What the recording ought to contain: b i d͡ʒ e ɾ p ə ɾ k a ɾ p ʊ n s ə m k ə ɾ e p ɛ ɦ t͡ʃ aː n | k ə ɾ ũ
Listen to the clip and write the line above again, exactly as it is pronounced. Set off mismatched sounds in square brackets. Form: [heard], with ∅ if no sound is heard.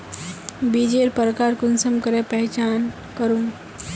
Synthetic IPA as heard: b i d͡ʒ e ɾ p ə ɾ k a ɾ [k] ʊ n s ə m k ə ɾ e p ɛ ɦ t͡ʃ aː n | k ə ɾ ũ